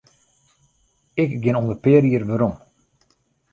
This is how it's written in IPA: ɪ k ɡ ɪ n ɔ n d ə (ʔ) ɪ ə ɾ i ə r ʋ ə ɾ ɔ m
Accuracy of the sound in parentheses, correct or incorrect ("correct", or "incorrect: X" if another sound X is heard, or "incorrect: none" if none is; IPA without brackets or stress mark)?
incorrect: p